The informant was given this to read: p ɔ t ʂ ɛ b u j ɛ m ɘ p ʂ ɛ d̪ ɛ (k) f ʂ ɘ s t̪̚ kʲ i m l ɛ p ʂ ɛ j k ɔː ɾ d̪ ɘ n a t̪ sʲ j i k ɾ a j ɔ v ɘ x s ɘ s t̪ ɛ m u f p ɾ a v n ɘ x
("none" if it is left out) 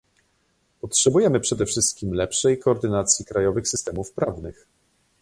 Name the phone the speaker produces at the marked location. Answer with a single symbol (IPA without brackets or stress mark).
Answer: none